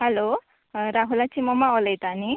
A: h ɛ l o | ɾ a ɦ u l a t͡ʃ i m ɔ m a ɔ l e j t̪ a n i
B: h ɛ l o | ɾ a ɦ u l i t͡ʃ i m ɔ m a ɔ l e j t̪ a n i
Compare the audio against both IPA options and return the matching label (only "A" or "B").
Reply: A